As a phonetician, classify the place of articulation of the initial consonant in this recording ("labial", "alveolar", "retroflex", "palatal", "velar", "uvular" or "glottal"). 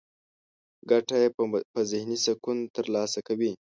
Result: velar